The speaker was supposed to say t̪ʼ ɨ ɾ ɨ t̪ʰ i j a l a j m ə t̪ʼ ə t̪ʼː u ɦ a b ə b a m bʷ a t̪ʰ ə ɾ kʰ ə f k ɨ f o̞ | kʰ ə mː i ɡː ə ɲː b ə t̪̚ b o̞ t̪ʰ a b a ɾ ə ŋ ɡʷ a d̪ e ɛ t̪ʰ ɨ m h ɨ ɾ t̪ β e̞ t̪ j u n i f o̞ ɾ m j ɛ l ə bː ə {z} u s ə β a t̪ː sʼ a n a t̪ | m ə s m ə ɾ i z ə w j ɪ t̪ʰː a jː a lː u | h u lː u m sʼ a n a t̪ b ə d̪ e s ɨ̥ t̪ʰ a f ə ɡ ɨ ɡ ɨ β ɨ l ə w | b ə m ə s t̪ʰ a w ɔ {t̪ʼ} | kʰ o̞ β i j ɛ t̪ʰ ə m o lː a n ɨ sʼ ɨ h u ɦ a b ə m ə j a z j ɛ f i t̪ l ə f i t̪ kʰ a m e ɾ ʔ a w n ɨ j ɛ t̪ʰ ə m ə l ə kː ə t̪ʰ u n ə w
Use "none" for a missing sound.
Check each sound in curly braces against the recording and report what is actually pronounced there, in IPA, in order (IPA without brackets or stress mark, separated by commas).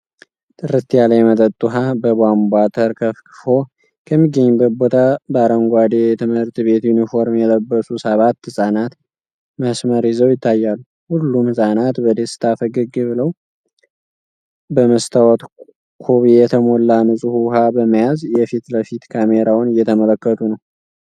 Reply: s, t̪